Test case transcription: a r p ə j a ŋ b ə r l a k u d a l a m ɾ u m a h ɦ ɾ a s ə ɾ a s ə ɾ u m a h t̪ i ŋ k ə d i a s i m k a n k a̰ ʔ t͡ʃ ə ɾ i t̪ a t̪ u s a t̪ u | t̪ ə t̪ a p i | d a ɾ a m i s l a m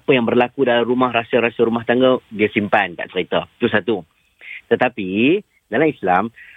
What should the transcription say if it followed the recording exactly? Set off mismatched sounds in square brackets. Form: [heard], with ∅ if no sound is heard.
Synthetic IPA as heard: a [∅] p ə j a ŋ b ə r l a k u d a l a m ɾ u m a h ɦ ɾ a s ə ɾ a s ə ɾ u m a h t̪ [a] ŋ [ɡ] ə d i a s i m [p] a n k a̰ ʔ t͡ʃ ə ɾ i t̪ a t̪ u s a t̪ u | t̪ ə t̪ a p i | d a [l] a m i s l a m